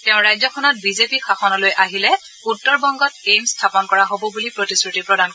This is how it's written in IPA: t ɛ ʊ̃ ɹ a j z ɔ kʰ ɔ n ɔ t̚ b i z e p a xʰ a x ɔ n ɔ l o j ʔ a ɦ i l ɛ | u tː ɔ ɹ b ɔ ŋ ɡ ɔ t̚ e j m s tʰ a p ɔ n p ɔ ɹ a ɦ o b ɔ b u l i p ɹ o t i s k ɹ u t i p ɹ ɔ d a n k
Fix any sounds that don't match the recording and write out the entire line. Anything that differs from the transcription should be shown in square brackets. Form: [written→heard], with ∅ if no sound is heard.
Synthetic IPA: t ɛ ʊ̃ ɹ a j z ɔ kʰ ɔ n ɔ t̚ b i z e p [a→i] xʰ a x ɔ n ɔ l o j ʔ a ɦ i l ɛ | u tː ɔ ɹ b ɔ ŋ ɡ ɔ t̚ e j m s tʰ a p ɔ n [p→k] ɔ ɹ a ɦ o b ɔ b u l i p ɹ o t i s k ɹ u t i p ɹ ɔ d a n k